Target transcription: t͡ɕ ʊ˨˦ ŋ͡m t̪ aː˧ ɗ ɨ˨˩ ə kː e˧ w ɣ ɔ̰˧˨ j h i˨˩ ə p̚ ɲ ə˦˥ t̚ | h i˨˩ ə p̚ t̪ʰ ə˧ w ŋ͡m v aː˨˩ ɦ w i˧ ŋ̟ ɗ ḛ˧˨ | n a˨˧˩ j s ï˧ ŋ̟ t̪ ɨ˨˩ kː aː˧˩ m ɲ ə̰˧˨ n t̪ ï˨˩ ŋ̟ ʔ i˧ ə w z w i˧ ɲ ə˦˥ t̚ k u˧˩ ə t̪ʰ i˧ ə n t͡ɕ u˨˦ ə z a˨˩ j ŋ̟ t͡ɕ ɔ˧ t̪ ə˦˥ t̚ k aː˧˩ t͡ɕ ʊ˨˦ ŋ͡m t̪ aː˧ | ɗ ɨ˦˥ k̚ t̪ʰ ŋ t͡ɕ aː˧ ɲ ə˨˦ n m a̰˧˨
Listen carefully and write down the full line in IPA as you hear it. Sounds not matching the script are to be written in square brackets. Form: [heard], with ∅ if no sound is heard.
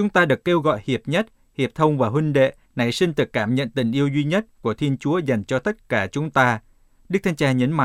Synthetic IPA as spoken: t͡ɕ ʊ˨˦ ŋ͡m t̪ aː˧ ɗ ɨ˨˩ ə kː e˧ w ɣ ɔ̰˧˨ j h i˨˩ ə p̚ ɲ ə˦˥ t̚ | h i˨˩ ə p̚ t̪ʰ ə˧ w ŋ͡m v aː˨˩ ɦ w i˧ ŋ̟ ɗ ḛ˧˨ | n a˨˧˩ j s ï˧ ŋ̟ t̪ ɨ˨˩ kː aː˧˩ m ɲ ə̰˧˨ n t̪ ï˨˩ ŋ̟ ʔ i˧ ə w z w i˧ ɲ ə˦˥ t̚ k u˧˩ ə t̪ʰ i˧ ə n t͡ɕ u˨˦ ə z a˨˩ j ŋ̟ t͡ɕ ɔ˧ t̪ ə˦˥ t̚ k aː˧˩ t͡ɕ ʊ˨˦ ŋ͡m t̪ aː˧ | ɗ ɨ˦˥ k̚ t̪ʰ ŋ t͡ɕ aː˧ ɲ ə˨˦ n m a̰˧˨